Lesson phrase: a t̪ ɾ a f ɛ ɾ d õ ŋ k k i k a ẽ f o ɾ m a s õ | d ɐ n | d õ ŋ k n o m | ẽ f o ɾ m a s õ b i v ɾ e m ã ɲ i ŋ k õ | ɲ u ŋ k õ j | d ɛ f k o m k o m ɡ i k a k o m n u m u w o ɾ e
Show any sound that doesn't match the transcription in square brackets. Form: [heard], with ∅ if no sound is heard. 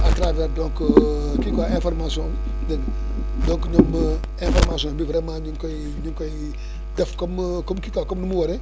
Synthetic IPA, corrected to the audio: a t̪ ɾ a [v] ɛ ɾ d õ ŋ k k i k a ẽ f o ɾ m a s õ | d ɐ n | d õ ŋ k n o m | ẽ f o ɾ m a s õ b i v ɾ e m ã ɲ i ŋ k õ | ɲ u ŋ k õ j | d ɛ f k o m k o m [k] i k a k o m n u m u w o ɾ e